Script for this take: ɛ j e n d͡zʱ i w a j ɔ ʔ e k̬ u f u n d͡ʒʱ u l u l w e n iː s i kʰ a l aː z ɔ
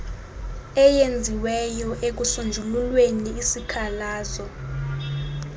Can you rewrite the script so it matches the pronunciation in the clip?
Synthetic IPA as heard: ɛ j e n d͡zʱ i w ɛ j ɔ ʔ e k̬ u s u n d͡ʒʱ u l u l w e n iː s i kʰ a l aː z ɔ